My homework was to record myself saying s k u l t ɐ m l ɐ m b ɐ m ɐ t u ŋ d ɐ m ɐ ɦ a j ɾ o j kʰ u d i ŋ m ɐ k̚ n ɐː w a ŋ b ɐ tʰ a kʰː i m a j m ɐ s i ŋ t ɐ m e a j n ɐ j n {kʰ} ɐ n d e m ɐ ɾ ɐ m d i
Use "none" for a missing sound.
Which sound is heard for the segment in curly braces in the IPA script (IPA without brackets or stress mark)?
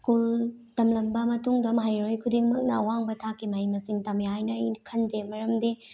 kʰ